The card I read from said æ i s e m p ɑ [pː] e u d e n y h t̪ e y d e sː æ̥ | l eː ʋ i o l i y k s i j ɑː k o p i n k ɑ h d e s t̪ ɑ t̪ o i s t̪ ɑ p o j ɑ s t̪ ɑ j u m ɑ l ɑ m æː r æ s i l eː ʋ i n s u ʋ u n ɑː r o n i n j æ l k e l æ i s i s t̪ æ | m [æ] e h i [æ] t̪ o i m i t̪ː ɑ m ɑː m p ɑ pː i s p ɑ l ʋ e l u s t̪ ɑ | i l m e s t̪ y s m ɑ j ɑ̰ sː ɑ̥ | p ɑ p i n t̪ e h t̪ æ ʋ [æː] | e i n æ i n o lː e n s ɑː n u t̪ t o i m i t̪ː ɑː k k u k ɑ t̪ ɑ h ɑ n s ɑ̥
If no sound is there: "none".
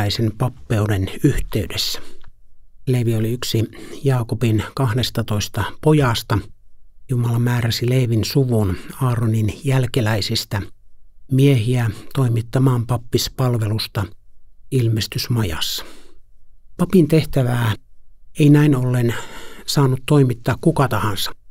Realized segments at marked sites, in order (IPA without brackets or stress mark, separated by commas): pː, i, æ, æː